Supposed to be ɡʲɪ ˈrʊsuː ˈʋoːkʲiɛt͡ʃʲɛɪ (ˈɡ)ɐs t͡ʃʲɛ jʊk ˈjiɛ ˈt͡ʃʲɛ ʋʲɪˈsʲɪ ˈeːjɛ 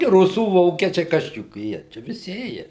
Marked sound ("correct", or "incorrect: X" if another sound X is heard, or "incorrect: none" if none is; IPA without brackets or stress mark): incorrect: k